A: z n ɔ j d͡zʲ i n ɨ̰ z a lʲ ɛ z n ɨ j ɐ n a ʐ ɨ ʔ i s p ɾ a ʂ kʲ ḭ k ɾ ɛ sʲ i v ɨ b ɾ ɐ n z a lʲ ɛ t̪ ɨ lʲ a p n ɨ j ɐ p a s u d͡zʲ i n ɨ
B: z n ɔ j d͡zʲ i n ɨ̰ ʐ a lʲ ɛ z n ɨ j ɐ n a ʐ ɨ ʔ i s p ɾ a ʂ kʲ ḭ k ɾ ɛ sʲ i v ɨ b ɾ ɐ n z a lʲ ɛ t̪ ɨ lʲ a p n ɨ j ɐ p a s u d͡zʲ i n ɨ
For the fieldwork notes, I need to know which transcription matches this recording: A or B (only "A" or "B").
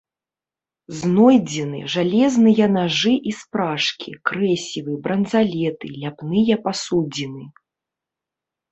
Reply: B